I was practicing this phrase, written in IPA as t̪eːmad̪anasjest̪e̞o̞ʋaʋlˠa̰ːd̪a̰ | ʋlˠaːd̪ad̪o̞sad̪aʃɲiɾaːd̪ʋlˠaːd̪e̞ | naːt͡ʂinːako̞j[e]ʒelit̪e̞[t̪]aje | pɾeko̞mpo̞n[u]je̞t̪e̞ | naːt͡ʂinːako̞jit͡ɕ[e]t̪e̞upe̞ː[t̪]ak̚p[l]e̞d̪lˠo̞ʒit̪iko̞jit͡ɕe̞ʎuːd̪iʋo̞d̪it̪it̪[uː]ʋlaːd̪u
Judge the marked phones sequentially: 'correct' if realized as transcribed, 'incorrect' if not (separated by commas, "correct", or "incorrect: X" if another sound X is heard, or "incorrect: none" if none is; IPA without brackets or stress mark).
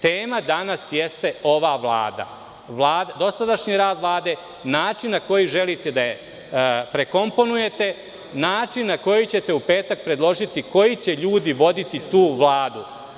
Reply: incorrect: i, incorrect: d̪, correct, correct, correct, incorrect: ɾ, correct